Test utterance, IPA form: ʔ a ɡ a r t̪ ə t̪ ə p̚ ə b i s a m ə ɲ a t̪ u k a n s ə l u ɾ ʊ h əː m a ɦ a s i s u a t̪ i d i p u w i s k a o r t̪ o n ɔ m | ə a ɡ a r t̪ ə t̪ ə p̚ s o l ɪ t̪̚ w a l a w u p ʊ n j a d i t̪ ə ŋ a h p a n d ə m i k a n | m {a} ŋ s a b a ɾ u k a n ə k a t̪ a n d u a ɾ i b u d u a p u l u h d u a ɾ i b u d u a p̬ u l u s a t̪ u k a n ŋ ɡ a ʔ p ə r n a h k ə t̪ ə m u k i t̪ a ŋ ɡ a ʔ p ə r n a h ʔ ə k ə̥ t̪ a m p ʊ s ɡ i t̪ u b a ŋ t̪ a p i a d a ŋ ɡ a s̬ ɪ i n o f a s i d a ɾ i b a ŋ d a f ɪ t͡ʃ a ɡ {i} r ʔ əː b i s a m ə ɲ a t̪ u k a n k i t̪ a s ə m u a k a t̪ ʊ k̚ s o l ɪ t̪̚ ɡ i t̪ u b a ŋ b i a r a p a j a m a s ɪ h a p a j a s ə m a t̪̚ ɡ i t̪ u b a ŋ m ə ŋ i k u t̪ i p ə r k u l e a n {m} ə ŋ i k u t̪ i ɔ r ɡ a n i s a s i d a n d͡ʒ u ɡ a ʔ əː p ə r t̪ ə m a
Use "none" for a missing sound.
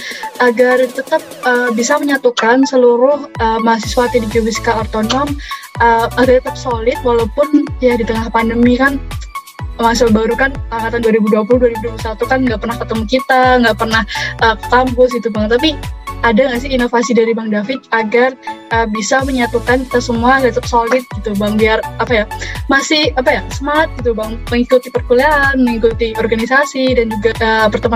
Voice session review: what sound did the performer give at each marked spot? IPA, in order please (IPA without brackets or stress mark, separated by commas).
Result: a, a, m